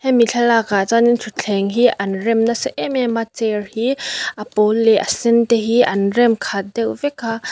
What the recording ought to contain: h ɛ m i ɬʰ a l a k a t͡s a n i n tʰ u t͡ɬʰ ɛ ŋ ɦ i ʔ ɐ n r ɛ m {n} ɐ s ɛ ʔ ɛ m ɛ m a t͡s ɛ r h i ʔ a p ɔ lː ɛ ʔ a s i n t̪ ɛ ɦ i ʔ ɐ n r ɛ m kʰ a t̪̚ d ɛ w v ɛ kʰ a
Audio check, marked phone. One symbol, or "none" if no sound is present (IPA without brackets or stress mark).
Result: n